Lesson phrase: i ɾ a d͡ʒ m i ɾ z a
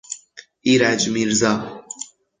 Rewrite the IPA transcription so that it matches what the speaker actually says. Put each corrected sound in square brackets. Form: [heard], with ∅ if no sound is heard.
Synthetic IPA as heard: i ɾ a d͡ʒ m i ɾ z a